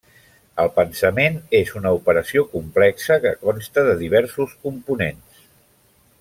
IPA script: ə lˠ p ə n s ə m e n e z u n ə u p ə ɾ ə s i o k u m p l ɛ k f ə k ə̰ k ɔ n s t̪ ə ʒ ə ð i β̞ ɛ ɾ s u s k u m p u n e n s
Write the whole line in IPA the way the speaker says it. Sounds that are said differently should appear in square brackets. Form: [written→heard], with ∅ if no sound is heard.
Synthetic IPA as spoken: ə lˠ p ə n s ə m e n e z u n ə u p ə ɾ ə s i o k u m p l ɛ k [f→s] ə k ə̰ k ɔ n s t̪ ə [ʒ→ð] ə ð i β̞ ɛ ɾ s u s k u m p u n e n s